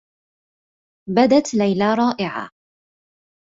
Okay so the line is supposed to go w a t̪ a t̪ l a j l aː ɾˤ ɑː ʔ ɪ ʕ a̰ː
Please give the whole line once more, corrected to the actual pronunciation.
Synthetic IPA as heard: b a d̪ a t̪ l a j l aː ɾˤ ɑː ʔ ɪ ʕ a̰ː